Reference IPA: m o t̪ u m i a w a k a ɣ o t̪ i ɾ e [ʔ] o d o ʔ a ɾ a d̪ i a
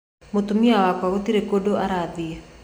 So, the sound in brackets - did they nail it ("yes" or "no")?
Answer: no